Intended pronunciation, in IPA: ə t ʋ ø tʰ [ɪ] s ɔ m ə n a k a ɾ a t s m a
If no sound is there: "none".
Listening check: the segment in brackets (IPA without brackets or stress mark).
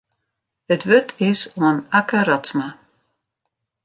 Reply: ɪ